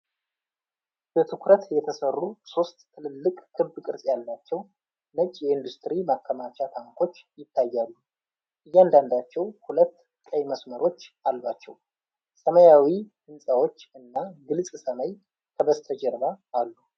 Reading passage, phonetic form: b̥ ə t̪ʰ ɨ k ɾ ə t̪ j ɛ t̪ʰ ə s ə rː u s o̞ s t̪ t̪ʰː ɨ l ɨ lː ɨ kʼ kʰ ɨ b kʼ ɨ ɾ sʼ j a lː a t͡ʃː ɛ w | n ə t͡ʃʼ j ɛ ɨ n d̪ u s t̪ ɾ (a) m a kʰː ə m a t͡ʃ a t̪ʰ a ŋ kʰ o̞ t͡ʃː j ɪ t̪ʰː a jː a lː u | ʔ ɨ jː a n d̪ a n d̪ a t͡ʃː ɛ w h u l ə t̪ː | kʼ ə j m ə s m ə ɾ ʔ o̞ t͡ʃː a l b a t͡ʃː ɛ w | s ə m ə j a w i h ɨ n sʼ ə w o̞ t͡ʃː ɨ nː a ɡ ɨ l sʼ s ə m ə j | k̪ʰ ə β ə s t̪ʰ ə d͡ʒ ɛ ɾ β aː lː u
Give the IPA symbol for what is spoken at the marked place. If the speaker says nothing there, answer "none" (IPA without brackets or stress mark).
i